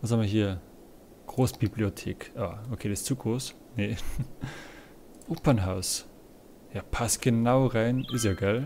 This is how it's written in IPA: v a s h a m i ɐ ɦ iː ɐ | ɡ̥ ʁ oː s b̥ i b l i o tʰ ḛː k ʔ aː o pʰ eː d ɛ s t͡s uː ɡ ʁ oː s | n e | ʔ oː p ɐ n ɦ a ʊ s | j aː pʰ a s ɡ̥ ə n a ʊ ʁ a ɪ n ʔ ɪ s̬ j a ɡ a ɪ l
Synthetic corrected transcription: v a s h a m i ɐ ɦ iː ɐ | ɡ̥ ʁ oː s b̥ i b l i o tʰ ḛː k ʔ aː o kʰ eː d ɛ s t͡s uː ɡ ʁ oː s | n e | ʔ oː p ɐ n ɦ a ʊ s | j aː pʰ a s ɡ̥ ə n a ʊ ʁ a ɪ n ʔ ɪ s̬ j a ɡ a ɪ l